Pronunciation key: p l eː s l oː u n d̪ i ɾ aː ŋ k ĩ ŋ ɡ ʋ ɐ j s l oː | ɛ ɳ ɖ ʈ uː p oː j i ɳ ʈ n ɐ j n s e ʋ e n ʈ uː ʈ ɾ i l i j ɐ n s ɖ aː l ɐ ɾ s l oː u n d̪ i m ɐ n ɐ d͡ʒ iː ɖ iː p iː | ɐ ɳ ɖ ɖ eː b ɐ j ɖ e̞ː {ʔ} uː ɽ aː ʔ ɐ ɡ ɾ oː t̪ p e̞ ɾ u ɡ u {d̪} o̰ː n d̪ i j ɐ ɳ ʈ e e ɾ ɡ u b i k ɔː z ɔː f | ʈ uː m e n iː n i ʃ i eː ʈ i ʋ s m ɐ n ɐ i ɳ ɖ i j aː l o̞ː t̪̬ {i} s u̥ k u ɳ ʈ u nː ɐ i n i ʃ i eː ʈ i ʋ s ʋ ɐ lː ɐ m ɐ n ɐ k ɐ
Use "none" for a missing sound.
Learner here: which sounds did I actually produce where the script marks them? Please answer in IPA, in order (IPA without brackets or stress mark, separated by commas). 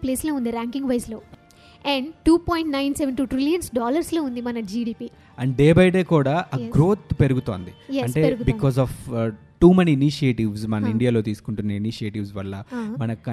k, t̪, iː